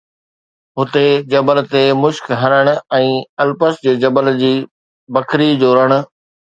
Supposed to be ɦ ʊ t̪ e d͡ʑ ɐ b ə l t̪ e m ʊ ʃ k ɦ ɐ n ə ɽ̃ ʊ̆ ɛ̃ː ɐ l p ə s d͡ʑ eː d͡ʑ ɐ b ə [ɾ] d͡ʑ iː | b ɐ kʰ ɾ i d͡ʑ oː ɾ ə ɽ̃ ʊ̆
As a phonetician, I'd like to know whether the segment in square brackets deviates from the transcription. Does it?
yes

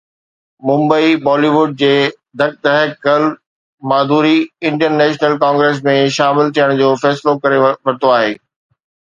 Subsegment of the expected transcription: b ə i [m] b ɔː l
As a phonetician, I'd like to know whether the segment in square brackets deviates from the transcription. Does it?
yes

